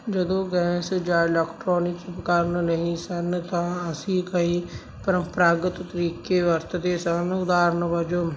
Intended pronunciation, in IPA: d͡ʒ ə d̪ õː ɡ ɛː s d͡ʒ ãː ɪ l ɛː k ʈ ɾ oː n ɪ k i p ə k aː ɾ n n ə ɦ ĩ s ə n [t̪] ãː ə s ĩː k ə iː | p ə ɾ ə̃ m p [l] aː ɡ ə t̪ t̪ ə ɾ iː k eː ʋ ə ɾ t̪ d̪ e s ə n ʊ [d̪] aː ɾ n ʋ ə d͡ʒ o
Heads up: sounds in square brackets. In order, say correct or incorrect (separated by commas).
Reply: correct, incorrect, correct